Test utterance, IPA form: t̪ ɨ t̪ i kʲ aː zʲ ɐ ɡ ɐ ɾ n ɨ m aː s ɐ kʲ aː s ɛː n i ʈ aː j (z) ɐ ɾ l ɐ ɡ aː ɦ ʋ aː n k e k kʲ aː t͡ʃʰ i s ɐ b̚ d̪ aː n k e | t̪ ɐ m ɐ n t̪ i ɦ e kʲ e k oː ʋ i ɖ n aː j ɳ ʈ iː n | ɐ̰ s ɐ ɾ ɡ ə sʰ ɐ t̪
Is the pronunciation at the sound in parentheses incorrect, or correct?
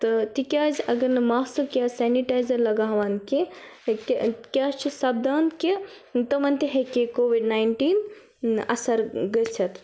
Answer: correct